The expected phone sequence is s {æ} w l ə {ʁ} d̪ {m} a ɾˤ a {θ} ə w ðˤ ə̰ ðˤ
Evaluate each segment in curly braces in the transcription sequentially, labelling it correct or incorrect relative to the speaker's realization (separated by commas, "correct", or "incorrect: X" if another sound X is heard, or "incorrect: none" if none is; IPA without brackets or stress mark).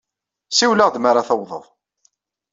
incorrect: i, correct, correct, correct